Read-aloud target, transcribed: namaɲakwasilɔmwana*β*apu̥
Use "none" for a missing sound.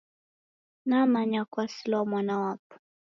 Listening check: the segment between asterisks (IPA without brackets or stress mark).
w